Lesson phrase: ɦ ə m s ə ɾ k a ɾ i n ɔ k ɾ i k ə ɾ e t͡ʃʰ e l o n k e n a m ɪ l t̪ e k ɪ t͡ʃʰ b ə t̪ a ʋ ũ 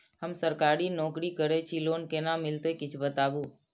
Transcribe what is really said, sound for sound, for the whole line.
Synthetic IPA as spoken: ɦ ə m s ə ɾ k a ɾ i n ɔ k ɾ i k ə ɾ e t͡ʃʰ i l o n k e n a m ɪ l t̪ e k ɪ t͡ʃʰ b ə t̪ a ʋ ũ